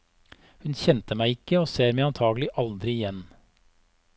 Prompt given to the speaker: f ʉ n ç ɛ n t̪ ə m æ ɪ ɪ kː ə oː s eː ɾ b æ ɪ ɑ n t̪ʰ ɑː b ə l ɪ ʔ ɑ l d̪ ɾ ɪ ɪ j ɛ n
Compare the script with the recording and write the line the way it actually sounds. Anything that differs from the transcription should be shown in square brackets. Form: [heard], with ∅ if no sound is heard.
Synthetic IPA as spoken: [h] ʉ n ç ɛ n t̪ ə m æ ɪ ɪ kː ə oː s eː ɾ [m] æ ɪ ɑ n t̪ʰ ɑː [ɡ] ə l ɪ ʔ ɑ l d̪ ɾ ɪ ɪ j ɛ n